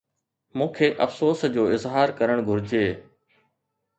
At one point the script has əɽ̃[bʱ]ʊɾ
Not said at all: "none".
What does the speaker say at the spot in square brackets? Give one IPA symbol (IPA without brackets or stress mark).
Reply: ɡʱ